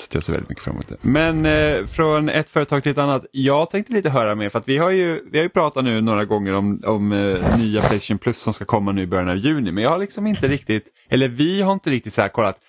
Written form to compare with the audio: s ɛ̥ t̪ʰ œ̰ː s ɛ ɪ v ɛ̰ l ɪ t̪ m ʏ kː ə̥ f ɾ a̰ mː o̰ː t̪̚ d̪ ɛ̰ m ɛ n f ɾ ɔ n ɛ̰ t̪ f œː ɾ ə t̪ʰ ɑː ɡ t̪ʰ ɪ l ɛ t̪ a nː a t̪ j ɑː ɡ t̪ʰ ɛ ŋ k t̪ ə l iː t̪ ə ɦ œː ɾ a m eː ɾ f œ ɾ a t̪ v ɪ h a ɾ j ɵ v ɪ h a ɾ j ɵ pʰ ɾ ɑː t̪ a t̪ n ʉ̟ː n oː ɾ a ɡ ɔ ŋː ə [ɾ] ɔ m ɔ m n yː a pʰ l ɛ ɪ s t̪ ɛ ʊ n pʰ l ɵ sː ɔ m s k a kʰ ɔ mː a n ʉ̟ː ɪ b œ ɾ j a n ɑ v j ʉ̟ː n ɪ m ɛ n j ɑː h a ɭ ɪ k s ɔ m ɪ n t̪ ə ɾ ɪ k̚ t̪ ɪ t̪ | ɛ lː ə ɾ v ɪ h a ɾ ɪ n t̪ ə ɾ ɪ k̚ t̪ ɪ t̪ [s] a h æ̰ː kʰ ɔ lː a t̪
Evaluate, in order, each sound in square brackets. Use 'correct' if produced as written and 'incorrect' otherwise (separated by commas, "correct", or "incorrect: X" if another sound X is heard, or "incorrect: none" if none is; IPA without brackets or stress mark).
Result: correct, correct